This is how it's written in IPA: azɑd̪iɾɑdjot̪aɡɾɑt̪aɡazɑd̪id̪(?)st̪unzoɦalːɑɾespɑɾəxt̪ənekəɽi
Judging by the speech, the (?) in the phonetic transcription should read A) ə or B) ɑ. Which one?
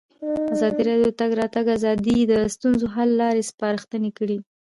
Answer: A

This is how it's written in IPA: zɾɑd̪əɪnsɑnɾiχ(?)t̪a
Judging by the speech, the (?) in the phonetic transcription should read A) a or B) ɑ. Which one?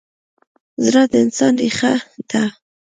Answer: A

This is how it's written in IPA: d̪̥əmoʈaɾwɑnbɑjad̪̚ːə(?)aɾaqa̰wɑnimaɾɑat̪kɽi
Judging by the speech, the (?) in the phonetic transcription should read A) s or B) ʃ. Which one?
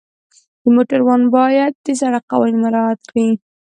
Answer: A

